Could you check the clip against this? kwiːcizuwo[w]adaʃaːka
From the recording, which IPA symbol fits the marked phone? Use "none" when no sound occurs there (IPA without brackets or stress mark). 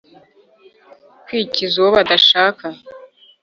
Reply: β